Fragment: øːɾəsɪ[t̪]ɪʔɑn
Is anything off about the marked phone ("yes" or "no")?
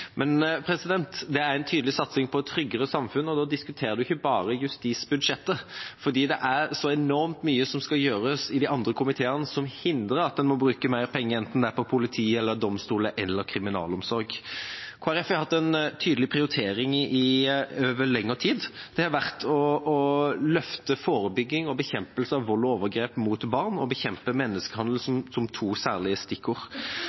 yes